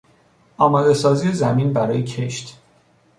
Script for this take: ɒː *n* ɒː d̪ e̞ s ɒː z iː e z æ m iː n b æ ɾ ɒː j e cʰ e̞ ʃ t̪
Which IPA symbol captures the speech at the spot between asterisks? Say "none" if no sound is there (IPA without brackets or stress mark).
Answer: m